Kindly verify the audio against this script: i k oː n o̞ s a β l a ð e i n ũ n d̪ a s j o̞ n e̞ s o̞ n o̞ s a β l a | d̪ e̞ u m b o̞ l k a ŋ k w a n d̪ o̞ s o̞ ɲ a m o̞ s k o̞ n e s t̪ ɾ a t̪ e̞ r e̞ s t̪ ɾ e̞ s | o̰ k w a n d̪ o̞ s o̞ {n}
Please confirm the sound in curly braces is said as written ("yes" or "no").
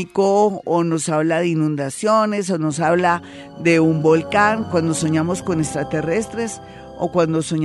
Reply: no